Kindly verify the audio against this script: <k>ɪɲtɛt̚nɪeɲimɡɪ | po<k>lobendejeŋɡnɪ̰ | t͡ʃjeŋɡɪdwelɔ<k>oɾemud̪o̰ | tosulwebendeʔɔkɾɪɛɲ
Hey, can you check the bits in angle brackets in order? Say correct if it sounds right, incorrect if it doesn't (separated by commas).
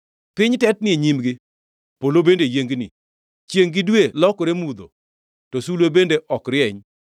incorrect, incorrect, correct